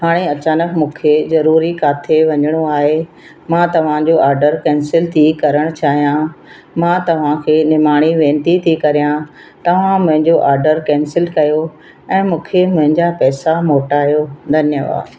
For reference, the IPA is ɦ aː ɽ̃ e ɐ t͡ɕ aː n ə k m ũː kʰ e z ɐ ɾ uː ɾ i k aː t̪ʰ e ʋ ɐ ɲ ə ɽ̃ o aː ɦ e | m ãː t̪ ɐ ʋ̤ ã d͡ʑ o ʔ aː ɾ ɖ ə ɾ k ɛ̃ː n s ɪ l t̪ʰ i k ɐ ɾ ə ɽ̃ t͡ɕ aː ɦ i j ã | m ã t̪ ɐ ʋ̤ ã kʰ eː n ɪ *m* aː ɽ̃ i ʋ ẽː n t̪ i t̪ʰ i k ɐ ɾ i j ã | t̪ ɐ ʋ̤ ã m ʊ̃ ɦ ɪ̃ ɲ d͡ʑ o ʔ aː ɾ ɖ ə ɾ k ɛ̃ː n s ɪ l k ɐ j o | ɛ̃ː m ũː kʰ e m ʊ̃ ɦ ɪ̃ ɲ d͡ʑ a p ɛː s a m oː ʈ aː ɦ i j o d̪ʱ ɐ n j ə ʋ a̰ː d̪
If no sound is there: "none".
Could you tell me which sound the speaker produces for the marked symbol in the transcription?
m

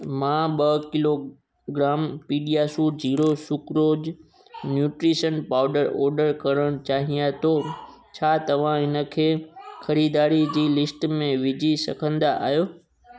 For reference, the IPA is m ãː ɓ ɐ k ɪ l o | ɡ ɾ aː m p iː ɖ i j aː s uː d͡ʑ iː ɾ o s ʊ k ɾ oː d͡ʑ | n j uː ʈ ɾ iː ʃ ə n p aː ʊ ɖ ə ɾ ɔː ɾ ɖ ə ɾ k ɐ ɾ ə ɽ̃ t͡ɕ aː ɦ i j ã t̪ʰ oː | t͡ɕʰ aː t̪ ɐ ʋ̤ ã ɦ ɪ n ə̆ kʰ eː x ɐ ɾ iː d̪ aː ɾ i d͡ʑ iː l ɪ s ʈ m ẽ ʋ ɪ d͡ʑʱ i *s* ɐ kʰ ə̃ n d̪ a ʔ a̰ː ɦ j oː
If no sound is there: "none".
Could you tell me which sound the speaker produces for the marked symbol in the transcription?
s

